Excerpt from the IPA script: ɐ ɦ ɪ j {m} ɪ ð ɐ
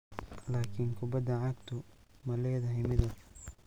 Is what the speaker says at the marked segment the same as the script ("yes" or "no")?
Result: yes